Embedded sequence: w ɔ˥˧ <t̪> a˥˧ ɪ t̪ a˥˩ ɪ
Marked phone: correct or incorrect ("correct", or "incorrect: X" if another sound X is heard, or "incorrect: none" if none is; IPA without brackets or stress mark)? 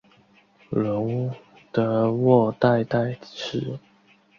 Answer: correct